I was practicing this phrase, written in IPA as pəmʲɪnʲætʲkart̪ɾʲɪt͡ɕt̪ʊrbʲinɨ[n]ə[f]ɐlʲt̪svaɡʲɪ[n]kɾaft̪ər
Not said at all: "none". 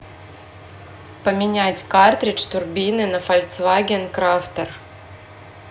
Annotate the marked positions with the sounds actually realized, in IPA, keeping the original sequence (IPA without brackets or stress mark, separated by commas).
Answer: n, f, n